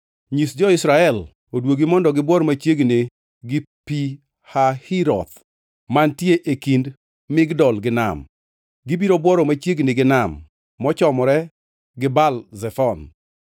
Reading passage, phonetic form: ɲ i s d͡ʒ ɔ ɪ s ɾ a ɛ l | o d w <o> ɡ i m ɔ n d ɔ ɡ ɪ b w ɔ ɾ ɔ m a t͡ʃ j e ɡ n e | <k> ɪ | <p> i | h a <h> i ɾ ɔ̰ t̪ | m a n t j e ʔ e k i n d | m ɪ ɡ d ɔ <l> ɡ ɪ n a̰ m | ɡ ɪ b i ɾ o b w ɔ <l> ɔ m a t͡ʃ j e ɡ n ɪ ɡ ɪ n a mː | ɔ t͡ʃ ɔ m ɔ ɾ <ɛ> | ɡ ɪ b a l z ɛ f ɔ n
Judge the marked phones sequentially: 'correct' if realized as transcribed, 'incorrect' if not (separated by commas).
correct, incorrect, correct, correct, correct, incorrect, correct